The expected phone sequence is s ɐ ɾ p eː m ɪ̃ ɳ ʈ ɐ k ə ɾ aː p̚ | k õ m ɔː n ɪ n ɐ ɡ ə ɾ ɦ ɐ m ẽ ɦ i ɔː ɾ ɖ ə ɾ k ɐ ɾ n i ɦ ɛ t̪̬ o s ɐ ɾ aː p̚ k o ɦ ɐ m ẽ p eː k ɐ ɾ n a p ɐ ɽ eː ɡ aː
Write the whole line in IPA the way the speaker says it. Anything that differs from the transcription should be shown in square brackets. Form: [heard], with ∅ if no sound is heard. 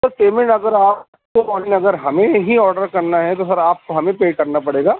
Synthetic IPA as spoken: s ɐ ɾ p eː m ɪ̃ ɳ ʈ ɐ [ɡ] ə ɾ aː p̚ | k [o] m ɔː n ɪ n ɐ ɡ ə ɾ ɦ ɐ m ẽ ɦ i ɔː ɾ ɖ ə ɾ k ɐ ɾ n [a] ɦ ɛ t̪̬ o s ɐ ɾ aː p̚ k o ɦ ɐ m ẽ p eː k ɐ ɾ n a p ɐ ɽ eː ɡ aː